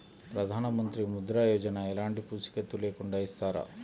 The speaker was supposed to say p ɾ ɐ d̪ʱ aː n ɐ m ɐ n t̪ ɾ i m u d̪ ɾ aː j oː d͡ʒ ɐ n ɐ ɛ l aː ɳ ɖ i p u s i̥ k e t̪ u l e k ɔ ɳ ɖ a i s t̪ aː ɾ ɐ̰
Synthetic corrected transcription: p ɾ ɐ d̪ʱ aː n ɐ m ɐ n t̪ ɾ i m u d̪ ɾ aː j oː d͡ʒ ɐ n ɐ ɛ l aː ɳ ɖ i p u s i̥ k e t̪ u l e k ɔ ɳ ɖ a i s t̪ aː ɾ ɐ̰